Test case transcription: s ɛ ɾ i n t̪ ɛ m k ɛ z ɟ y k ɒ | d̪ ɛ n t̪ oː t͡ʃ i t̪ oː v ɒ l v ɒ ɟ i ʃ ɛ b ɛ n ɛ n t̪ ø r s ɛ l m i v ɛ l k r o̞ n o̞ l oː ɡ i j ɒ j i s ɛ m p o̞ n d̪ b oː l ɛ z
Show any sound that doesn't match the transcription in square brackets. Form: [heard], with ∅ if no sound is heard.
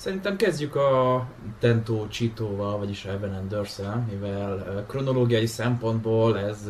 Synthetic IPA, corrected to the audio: s ɛ ɾ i n t̪ ɛ m k ɛ z ɟ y k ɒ | [t̪] ɛ n t̪ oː t͡ʃ i t̪ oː v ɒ l v ɒ ɟ i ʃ ɛ b ɛ n ɛ n [d̪] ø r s ɛ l m i v ɛ l k r o̞ n o̞ l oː ɡ i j ɒ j i s ɛ m p o̞ n d̪ b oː l ɛ z